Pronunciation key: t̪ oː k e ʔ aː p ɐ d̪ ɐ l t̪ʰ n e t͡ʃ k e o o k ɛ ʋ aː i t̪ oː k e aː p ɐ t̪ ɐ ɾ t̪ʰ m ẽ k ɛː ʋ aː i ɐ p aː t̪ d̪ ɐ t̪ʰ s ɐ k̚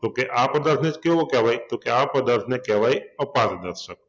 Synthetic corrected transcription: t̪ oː k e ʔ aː p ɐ d̪ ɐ ɾ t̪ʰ n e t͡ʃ k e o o k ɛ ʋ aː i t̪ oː k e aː p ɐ d̪ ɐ ɾ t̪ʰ n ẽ k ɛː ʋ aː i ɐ p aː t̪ d̪ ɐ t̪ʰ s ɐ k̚